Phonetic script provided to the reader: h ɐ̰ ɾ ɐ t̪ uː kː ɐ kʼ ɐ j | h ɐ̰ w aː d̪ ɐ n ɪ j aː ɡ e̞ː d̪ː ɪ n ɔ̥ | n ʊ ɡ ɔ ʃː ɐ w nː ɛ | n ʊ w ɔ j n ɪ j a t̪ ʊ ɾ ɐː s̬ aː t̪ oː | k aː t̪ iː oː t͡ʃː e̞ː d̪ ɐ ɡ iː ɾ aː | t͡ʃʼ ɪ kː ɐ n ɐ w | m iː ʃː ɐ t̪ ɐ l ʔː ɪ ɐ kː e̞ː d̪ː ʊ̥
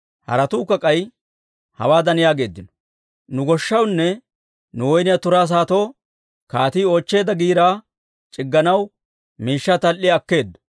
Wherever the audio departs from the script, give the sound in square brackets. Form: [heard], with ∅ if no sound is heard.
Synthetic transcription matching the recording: h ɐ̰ ɾ ɐ t̪ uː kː ɐ kʼ ɐ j | h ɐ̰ w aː d̪ ɐ n ɪ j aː ɡ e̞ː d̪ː ɪ n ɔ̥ | n ʊ ɡ ɔ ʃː ɐ w nː ɛ | n ʊ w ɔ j n ɪ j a t̪ ʊ ɾ [aː] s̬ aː t̪ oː | k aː t̪ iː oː t͡ʃː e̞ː d̪ ɐ ɡ iː ɾ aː | t͡ʃʼ ɪ [ɡː] ɐ n ɐ w | m iː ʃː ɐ t̪ ɐ l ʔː ɪ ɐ kː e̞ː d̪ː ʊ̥